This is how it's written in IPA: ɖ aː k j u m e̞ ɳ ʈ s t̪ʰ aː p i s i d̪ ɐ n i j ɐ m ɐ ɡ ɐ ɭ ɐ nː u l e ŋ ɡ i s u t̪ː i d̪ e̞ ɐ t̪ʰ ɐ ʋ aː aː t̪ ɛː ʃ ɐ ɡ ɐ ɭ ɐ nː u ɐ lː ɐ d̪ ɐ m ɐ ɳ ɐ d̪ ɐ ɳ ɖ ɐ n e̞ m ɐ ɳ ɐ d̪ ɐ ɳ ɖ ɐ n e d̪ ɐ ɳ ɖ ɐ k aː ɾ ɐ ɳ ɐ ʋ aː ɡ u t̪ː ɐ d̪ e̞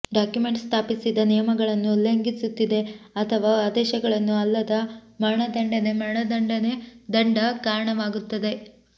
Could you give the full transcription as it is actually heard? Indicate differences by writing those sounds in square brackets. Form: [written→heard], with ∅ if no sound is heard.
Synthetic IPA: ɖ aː k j u m e̞ ɳ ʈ s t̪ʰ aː p i s i d̪ ɐ n i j ɐ m ɐ ɡ ɐ ɭ ɐ nː u l e ŋ ɡ i s u t̪ː i d̪ e̞ ɐ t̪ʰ ɐ ʋ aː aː [t̪→d̪] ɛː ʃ ɐ ɡ ɐ ɭ ɐ nː u ɐ lː ɐ d̪ ɐ m ɐ ɳ ɐ d̪ ɐ ɳ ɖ ɐ n e̞ m ɐ ɳ ɐ d̪ ɐ ɳ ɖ ɐ n e d̪ ɐ ɳ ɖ ɐ k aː ɾ ɐ ɳ ɐ ʋ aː ɡ u t̪ː ɐ d̪ e̞